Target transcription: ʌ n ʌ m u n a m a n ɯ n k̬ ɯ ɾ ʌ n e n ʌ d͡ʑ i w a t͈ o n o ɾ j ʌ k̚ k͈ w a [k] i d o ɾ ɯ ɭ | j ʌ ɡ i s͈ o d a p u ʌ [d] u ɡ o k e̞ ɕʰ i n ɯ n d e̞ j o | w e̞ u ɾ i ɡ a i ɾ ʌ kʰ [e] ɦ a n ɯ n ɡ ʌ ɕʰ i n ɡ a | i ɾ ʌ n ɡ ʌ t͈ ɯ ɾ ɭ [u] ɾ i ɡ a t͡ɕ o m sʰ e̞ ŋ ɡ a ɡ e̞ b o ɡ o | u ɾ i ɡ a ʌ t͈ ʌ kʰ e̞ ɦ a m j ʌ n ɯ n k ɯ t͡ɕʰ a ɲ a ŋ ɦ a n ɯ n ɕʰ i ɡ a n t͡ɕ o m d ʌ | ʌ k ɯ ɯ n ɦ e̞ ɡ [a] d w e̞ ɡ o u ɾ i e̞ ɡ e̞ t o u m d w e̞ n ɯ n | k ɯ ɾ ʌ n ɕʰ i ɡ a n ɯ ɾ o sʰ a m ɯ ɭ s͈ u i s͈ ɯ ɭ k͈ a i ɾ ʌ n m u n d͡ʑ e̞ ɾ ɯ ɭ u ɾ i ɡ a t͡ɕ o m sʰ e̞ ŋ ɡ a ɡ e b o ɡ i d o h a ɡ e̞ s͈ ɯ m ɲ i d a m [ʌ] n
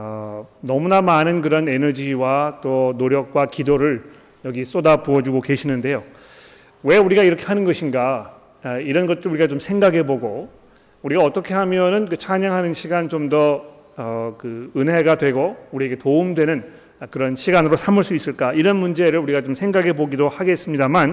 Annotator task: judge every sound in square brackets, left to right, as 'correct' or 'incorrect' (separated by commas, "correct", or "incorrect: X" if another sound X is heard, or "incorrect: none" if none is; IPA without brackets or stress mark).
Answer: correct, incorrect: d͡ʑ, correct, correct, correct, incorrect: a